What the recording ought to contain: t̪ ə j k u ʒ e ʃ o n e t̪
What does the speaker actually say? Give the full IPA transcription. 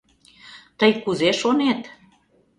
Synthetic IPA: t̪ ə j k u z e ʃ o n e t̪